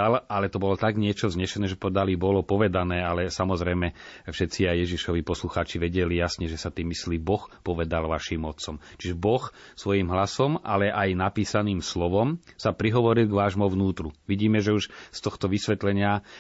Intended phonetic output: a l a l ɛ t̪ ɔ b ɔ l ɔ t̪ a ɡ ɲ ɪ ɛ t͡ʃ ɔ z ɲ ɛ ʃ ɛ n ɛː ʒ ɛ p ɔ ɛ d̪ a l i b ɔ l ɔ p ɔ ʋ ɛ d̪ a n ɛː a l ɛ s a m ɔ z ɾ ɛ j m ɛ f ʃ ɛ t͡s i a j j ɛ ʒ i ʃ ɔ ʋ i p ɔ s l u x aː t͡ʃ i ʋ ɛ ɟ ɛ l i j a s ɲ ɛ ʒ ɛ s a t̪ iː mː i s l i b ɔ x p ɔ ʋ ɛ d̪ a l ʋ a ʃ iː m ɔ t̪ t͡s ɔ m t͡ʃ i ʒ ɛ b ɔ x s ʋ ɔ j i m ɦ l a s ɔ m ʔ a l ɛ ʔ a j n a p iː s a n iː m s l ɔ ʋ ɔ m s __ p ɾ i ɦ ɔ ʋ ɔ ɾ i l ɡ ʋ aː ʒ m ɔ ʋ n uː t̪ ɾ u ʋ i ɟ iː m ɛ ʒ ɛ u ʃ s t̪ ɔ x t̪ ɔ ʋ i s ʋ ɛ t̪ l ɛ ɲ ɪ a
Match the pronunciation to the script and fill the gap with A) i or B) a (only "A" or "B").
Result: B